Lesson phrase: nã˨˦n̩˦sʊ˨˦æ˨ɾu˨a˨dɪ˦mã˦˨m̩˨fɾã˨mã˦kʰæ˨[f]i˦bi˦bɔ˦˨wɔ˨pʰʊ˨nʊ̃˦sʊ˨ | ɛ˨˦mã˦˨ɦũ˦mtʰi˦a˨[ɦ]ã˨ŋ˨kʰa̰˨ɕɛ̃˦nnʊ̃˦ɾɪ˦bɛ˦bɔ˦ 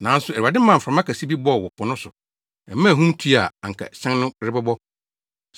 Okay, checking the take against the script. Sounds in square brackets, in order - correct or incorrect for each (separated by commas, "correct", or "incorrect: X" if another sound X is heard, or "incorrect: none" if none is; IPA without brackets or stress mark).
incorrect: s, incorrect: none